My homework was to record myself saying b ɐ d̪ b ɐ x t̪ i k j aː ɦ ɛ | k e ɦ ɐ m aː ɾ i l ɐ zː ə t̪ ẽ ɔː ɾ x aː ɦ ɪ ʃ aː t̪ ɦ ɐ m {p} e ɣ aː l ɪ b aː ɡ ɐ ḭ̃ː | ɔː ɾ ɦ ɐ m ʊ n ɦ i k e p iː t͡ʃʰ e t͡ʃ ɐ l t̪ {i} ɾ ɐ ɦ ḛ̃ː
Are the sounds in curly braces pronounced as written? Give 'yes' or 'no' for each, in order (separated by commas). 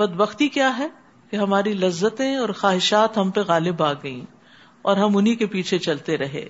yes, no